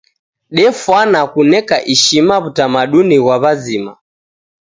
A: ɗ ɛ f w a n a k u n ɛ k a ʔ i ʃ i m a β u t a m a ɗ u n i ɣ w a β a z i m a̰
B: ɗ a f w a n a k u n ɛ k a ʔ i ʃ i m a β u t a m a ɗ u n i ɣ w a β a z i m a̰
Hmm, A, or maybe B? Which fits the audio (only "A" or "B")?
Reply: A